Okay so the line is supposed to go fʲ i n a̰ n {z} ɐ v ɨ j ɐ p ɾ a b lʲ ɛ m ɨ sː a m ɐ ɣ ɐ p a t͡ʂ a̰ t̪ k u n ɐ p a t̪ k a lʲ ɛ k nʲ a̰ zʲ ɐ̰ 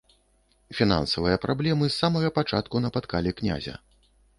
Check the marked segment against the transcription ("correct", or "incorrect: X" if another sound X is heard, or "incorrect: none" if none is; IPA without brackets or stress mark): incorrect: s